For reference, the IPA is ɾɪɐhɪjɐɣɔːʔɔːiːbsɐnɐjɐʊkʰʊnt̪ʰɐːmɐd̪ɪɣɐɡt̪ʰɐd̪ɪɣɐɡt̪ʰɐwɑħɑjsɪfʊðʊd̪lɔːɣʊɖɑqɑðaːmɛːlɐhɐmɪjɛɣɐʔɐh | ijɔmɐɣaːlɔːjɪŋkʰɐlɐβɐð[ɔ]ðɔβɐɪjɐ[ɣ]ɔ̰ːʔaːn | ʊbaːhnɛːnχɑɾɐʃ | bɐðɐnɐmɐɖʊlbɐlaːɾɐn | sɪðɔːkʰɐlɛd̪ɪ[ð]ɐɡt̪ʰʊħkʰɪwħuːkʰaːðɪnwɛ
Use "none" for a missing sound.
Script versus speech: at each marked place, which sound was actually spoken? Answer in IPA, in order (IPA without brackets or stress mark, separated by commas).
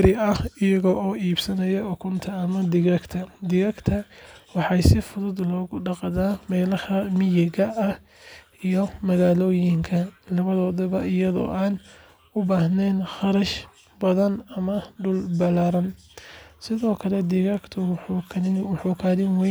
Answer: ɔː, ð, ɣ